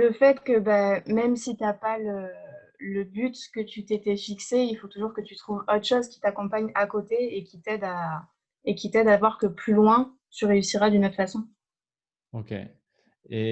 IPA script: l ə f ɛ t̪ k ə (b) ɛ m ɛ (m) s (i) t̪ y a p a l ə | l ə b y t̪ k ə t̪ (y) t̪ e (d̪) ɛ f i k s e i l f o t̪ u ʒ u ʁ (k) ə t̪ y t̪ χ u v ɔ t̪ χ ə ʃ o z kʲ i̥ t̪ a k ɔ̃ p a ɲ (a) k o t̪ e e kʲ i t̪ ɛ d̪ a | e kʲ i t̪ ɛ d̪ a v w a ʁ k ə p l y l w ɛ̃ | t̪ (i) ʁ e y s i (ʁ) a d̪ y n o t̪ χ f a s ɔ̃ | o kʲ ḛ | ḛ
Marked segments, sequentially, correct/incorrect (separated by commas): correct, correct, correct, correct, incorrect, correct, correct, incorrect, correct